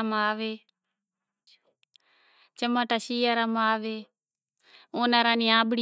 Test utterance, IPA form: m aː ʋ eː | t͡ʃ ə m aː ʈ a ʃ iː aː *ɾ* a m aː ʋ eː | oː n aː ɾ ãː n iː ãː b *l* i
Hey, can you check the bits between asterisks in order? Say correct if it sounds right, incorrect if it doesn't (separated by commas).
correct, incorrect